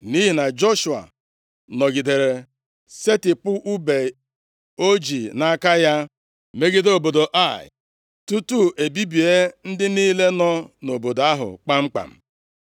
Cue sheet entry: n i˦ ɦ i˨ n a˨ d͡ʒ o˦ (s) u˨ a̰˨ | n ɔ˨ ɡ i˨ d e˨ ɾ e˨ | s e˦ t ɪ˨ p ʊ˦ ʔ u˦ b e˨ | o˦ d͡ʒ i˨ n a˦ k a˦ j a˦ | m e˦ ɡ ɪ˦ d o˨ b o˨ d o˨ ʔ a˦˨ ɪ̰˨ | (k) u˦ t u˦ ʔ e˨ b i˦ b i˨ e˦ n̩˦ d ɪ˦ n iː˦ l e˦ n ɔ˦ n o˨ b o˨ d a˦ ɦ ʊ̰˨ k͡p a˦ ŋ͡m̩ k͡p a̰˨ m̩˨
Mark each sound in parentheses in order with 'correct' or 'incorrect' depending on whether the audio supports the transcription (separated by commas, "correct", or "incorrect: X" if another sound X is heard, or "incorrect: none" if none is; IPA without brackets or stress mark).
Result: incorrect: ʃ, incorrect: t